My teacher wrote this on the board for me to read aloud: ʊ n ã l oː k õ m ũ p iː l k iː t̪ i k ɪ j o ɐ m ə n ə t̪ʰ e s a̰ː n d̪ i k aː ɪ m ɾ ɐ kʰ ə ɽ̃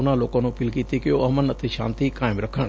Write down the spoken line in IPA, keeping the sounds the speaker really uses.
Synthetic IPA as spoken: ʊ n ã l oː k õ n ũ p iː l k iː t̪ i k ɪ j o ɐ m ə n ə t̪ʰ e ʃ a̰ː n t̪ i k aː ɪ m ɾ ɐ kʰ ə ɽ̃